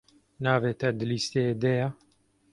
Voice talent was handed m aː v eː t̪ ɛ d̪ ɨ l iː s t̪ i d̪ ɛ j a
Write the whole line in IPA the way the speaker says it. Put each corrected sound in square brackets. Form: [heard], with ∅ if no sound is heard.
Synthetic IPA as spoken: [n] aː v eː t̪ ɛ d̪ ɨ l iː s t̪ [e] d̪ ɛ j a